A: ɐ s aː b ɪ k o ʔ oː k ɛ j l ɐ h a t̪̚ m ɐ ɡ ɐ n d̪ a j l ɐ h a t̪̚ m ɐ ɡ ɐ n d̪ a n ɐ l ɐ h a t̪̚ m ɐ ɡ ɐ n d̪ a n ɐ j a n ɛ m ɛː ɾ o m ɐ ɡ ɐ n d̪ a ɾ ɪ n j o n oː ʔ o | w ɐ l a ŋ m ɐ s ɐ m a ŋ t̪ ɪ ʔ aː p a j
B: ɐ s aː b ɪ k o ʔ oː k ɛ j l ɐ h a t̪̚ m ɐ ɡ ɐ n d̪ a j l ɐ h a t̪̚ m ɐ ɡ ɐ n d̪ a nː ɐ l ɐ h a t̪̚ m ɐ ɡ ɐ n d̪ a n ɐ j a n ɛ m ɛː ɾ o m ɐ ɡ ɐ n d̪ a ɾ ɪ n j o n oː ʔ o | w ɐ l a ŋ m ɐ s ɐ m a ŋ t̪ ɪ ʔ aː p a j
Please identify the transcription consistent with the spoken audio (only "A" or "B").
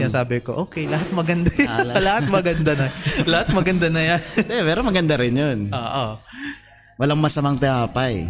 A